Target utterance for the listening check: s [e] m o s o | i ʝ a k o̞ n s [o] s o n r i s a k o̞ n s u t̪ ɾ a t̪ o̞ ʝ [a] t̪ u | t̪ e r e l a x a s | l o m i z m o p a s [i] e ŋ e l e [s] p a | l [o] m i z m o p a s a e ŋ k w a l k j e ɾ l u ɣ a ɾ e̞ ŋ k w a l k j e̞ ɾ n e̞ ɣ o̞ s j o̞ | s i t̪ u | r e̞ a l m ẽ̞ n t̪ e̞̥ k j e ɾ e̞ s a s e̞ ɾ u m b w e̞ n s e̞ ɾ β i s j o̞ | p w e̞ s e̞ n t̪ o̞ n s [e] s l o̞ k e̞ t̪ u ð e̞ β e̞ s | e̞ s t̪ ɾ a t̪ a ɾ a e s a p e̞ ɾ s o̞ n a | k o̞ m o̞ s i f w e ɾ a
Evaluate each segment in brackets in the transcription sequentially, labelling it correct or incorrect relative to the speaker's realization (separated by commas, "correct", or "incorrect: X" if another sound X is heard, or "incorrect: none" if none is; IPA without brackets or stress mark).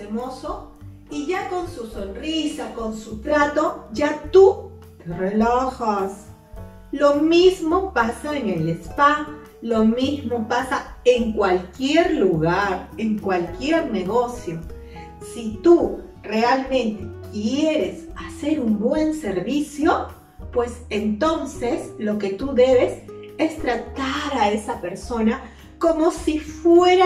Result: correct, incorrect: u, correct, incorrect: a, correct, correct, correct